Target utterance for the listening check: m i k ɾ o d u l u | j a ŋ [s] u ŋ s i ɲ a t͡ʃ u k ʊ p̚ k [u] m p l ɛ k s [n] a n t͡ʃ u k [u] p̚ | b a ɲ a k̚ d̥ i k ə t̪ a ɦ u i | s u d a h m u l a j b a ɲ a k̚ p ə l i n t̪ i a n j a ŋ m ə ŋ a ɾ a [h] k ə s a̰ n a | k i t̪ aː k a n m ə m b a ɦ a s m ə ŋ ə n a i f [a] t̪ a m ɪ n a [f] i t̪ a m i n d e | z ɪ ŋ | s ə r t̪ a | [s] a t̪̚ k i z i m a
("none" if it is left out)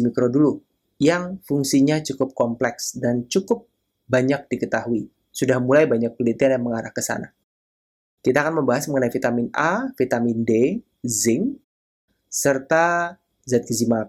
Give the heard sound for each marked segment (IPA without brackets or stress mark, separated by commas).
f, ɔ, d, ʊ, h, i, f, z